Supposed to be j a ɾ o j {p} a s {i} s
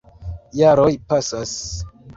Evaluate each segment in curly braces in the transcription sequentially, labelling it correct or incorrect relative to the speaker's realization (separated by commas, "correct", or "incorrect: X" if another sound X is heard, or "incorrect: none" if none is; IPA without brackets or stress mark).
correct, incorrect: a